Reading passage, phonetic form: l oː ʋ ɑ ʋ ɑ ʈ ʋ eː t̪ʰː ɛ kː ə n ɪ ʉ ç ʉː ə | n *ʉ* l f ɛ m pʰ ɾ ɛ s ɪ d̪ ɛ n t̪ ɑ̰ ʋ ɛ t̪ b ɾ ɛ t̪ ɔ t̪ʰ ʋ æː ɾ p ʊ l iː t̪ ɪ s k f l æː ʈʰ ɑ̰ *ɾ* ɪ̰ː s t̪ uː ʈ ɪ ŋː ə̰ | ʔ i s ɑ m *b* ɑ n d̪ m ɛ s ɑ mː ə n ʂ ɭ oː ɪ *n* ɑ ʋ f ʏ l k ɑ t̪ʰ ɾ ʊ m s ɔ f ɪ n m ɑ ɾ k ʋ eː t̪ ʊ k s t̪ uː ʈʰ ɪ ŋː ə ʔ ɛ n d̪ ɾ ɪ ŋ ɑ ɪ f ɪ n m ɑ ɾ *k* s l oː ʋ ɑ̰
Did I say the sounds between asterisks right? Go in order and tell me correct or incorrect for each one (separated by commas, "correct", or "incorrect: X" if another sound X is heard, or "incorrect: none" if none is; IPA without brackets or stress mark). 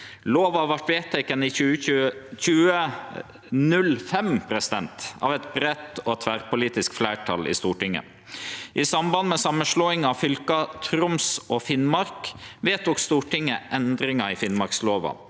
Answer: correct, incorrect: l, correct, incorrect: ŋ, correct